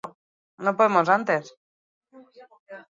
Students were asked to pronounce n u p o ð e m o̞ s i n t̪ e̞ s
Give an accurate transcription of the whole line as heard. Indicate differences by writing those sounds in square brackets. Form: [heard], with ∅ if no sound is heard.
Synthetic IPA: n [o] p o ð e m o̞ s [a] n t̪ e̞ s